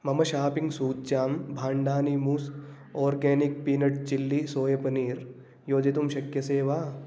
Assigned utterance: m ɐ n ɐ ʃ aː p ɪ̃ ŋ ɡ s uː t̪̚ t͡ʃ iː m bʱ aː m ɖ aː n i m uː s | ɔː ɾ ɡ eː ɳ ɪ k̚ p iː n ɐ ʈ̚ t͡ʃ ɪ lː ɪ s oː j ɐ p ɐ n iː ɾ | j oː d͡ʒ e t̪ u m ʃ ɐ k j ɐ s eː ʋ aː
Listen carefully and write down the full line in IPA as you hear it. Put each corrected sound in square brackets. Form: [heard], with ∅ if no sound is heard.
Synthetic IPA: m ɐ [m] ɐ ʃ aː p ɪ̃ ŋ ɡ s uː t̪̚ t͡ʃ [aː] m bʱ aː [ɳ] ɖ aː n i m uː s | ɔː ɾ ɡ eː [n] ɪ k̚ p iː n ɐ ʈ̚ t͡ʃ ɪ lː [i] s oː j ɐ p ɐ n iː ɾ | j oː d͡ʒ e t̪ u m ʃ ɐ k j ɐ s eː ʋ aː